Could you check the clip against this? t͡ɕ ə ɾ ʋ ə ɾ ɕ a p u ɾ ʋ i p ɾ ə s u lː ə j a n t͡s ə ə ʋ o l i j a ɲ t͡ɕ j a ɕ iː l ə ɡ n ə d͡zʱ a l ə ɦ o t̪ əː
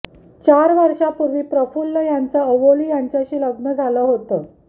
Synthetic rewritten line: t͡ɕ a ɾ ʋ ə ɾ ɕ a p u ɾ ʋ iː p ɾ ə f u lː ə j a n t͡s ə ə ʋ o l i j a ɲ t͡ɕ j a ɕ iː l ə ɡ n ə d͡zʱ a l ə ɦ o t̪ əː